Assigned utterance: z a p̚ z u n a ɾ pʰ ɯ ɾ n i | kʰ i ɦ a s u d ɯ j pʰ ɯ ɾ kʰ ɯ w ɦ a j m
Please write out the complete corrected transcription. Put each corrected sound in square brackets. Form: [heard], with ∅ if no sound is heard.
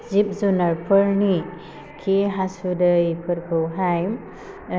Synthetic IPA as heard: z [i] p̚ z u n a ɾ pʰ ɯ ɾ n i | kʰ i ɦ a s u d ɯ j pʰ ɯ ɾ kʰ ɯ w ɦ a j m

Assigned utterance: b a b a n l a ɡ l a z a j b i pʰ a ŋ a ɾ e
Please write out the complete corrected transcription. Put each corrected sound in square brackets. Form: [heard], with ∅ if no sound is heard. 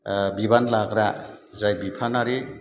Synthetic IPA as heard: b [i] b a n l a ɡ [ɾ] a z a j b i pʰ a [n] a ɾ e

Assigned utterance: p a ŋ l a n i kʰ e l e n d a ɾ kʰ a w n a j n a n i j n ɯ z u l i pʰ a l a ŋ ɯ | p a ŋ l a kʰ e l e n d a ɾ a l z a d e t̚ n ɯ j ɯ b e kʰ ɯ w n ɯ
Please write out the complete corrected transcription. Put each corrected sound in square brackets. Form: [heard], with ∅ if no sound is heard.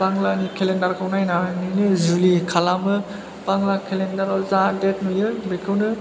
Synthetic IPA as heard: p a ŋ l a n i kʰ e l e n d a ɾ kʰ a w n a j n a n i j n ɯ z u l i [kʰ] a l a [m] ɯ | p a ŋ l a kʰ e l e n d a ɾ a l z a d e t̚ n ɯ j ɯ b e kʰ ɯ w n ɯ

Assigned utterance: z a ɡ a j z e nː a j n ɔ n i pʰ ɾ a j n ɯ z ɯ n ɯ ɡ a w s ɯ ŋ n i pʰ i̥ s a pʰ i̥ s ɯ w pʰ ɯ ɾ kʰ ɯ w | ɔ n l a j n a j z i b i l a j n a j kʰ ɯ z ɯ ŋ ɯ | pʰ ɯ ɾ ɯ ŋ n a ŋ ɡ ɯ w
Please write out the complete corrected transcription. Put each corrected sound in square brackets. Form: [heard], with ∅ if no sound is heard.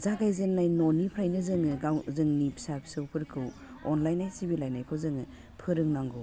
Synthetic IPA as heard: z a ɡ a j z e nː a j n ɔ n i pʰ ɾ a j n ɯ z ɯ [ŋ] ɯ ɡ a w [z] ɯ ŋ n i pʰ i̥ s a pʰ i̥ s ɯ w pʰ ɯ ɾ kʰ ɯ w | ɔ n l a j n a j [s] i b i l a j n a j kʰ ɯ z ɯ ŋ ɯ | pʰ ɯ ɾ ɯ ŋ n a ŋ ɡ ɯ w

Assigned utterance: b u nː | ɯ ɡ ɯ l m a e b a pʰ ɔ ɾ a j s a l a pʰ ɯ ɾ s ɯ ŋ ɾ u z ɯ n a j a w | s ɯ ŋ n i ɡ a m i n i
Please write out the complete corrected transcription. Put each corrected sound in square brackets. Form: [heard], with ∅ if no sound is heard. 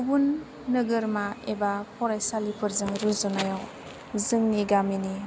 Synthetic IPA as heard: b u nː | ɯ ɡ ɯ [ɾ] m a e b a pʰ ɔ ɾ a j s a l [i] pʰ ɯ ɾ [z] ɯ ŋ ɾ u z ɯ n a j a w | [z] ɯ ŋ n i ɡ a m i n i

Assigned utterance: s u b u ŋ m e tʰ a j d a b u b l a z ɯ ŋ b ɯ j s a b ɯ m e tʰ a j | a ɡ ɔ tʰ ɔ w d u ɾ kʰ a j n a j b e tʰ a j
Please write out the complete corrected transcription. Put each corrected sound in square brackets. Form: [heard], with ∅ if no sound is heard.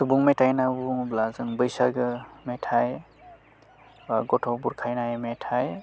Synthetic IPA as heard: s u b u ŋ m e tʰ a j [n] a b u b l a z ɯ ŋ b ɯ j s a [ɡ] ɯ m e tʰ a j | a ɡ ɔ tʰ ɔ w [b] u ɾ kʰ a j n a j [m] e tʰ a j

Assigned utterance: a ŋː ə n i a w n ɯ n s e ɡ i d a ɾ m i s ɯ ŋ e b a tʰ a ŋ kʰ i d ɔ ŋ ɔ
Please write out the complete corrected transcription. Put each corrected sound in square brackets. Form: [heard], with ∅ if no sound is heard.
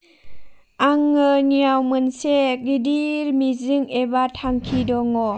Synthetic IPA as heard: a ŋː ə n i a w [m] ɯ n s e ɡ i d [i] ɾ m i [z] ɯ ŋ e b a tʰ a ŋ kʰ i d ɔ ŋ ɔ

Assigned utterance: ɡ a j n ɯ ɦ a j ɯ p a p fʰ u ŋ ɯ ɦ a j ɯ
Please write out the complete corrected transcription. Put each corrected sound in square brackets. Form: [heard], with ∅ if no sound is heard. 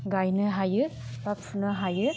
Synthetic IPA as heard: ɡ a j n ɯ ɦ a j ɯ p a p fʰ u [n] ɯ ɦ a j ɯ

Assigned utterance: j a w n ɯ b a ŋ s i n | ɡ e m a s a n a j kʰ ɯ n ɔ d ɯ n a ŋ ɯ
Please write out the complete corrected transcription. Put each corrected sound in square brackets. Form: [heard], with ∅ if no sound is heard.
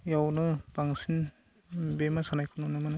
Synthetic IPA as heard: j a w n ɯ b a ŋ s i n | [b] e m a s a n a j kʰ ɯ n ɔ [n] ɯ [m] a [n] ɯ

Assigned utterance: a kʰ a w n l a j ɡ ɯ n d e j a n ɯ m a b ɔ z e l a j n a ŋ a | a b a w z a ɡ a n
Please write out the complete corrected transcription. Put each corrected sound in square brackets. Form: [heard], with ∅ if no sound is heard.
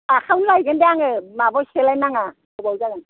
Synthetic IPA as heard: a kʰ a w n l a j ɡ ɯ n d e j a [ŋ] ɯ m a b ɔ [s] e l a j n a ŋ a | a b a w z a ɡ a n

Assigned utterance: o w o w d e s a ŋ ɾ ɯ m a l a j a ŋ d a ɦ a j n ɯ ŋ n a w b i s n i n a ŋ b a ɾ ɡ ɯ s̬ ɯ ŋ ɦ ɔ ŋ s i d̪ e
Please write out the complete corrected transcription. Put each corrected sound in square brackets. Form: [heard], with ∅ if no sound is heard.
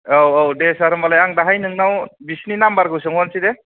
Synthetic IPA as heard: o w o w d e s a [∅] ɾ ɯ m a l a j a ŋ d a ɦ a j n ɯ ŋ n a w b i s n i n a [m] b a ɾ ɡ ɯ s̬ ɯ ŋ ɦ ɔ [n] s i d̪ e

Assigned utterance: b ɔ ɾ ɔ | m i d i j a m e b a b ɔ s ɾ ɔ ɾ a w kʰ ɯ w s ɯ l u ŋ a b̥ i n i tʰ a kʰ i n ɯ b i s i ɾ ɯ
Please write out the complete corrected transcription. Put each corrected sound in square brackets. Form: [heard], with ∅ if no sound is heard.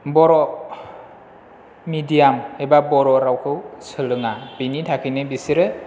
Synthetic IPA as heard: b ɔ ɾ ɔ | m i d i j a m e b a b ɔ [∅] ɾ ɔ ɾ a w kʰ ɯ w s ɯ l [ɯ] ŋ a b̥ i n i tʰ a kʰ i n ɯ b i s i ɾ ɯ

